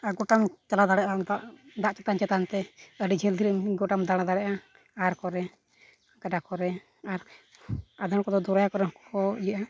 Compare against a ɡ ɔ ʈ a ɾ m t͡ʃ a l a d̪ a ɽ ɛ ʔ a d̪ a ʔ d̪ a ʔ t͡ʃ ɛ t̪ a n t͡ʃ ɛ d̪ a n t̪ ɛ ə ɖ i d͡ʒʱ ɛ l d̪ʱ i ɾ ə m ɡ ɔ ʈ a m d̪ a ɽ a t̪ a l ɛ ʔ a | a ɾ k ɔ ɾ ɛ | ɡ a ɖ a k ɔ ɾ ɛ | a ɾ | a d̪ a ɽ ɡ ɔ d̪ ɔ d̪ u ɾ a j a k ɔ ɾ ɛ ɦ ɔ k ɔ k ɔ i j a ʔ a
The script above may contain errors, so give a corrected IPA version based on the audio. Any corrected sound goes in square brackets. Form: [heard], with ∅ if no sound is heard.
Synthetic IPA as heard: a ɡ ɔ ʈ a [∅] m t͡ʃ a l a d̪ a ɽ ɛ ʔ a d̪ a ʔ d̪ a ʔ t͡ʃ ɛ t̪ a n t͡ʃ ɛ [t̪] a n t̪ ɛ ə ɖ i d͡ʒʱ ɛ l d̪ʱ i ɾ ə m ɡ ɔ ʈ a m d̪ a ɽ a [d̪] a [ɽ] ɛ ʔ a | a ɾ k ɔ ɾ ɛ | ɡ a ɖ a k ɔ ɾ ɛ | a ɾ | a d̪ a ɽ [k] ɔ d̪ ɔ d̪ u ɾ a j a k ɔ ɾ ɛ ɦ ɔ k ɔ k ɔ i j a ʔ a